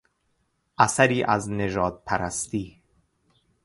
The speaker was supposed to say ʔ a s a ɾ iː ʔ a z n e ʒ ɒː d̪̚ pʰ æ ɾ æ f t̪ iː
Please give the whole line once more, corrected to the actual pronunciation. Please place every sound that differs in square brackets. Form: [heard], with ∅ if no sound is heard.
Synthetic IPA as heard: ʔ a s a ɾ iː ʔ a z n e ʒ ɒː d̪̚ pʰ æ ɾ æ [s] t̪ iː